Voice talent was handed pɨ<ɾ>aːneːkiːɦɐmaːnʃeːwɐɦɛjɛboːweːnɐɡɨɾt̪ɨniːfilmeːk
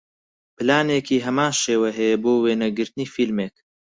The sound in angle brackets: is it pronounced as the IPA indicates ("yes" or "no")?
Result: no